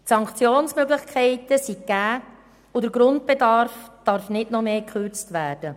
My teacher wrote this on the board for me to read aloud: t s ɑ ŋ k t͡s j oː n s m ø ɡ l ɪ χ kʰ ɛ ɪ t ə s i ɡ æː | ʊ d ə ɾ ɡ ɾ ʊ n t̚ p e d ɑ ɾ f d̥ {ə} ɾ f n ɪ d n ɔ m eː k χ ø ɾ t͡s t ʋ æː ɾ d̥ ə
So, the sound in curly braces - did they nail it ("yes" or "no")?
no